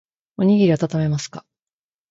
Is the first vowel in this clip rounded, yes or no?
yes